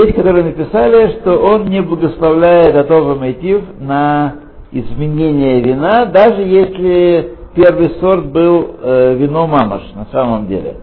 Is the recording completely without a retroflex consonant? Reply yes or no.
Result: no